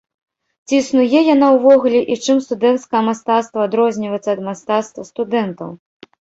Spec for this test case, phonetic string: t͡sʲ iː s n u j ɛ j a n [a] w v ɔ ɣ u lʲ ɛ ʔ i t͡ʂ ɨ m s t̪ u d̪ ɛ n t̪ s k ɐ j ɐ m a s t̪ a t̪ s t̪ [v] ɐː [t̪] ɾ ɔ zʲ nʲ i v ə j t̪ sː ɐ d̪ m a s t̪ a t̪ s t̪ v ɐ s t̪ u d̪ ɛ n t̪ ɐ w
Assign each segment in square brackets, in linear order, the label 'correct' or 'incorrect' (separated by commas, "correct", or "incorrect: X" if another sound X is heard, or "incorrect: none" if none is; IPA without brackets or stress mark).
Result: correct, correct, incorrect: d̪